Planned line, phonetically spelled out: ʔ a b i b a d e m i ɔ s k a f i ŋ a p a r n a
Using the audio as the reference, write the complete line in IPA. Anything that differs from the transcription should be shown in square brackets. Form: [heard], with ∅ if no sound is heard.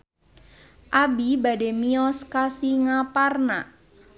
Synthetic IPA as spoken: ʔ a b i b a d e m i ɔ s k a [s] i ŋ a p a r n a